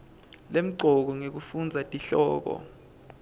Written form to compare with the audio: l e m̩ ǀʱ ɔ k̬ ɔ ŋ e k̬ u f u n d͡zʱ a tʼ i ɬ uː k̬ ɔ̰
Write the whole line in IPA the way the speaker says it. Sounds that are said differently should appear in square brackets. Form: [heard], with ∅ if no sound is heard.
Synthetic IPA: l e m̩ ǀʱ ɔ k̬ ɔ ŋ e k̬ u f u n d͡zʱ a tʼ i ɬ [ɔː] k̬ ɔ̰

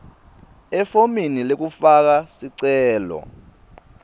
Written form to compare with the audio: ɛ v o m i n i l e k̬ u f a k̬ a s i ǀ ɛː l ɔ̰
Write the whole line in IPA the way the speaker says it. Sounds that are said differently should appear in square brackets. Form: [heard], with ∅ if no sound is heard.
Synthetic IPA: ɛ [f] o m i n i l e k̬ u f a k̬ a s i ǀ ɛː l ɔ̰

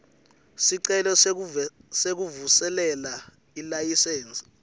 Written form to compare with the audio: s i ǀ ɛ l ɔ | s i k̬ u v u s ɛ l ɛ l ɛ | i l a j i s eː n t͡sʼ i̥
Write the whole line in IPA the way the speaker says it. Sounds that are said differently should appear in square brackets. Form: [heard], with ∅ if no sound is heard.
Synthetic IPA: s i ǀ ɛ l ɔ | s [e] k̬ u v u s ɛ l ɛ l [a] | i l a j i s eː n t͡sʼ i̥

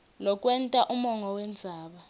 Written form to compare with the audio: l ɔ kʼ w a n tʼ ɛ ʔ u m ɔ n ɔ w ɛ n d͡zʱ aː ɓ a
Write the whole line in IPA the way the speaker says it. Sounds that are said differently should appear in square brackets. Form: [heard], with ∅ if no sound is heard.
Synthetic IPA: l ɔ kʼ w [ɛ] n tʼ [a] ʔ u m ɔ [ŋ] ɔ w ɛ n d͡zʱ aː ɓ a

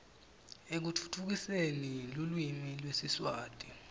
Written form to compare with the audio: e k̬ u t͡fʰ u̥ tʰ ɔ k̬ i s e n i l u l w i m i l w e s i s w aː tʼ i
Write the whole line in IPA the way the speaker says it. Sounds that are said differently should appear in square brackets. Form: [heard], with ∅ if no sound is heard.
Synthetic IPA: e k̬ u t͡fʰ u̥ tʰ [u] k̬ i s e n i l u l w i m i l w e s i s w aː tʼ i

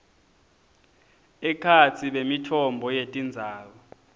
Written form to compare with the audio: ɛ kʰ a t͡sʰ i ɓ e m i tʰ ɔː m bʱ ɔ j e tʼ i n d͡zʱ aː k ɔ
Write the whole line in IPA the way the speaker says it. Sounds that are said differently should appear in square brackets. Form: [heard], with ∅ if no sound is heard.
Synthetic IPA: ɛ kʰ a t͡sʰ i ɓ e m i tʰ [ɔ] m bʱ ɔ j e tʼ i n d͡zʱ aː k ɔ

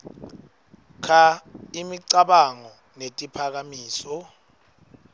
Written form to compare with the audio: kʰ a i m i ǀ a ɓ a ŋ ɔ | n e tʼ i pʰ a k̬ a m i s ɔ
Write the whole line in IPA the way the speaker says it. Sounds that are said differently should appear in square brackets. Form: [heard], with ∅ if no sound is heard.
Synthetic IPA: kʰ a i m i ǀ a ɓ a ŋ ɔ | n e tʼ i pʰ a k̬ a m [iː] s ɔ

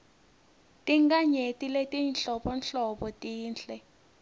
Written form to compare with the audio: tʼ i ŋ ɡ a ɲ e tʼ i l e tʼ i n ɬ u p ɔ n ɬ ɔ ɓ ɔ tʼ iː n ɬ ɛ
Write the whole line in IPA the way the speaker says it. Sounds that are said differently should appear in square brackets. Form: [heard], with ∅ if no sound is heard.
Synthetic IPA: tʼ i ŋ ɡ a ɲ e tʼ i l e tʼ i n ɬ [ɔ] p ɔ n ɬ ɔ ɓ ɔ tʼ iː n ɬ ɛ

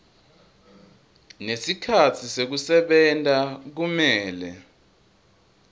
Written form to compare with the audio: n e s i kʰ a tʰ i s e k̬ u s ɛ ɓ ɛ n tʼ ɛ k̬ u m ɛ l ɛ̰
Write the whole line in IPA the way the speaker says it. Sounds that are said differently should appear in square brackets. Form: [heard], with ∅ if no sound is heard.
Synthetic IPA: n e s i kʰ a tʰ i s e k̬ u s ɛ ɓ ɛ n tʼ [a] k̬ u m [ɛː] l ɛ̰

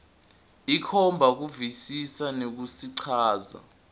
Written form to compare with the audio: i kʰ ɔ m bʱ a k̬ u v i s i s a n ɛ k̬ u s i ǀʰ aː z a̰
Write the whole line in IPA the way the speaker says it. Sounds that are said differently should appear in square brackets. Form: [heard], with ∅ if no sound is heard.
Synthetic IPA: i kʰ ɔ m bʱ a k̬ u v i s i s a n [e] k̬ u s i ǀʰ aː z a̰

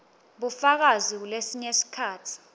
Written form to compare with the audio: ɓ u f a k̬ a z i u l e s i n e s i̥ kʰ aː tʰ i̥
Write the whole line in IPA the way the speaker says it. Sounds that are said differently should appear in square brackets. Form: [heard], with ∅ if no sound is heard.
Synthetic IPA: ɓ u f a k̬ a z i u l e s i [ɲ] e s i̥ kʰ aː tʰ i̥

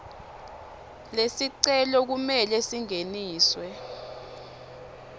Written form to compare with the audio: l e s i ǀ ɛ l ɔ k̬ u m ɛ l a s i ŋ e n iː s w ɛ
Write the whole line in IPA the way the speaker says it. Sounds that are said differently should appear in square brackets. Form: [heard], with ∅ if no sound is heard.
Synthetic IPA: l e s i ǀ ɛ l ɔ k̬ u m ɛ l [ɛ] s i ŋ e n iː s w ɛ

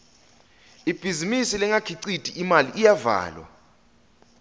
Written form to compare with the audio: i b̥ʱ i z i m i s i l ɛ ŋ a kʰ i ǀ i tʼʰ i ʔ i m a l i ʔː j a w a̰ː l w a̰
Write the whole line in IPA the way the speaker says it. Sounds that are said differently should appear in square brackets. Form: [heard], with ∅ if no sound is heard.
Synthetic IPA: i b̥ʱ i z i m i s i l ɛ ŋ a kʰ i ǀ i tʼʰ i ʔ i m a l i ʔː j a [v] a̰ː l w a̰

